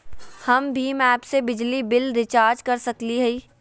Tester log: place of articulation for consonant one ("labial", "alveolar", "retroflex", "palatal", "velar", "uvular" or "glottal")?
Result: glottal